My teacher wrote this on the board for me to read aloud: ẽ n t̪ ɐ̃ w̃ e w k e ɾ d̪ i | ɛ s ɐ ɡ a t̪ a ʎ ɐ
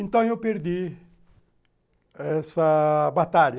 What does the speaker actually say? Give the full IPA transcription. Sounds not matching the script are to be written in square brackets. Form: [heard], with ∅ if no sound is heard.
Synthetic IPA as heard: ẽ n t̪ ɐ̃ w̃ e w [p] e ɾ d̪ i | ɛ s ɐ [b] a t̪ a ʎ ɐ